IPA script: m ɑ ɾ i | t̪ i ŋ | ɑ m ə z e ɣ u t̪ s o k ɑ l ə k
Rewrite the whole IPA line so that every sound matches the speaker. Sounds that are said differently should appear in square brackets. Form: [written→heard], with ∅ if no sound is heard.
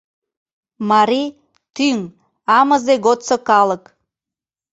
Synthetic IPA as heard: m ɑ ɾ i | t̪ [i→y] ŋ | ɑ m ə z e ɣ [u→o] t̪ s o k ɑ l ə k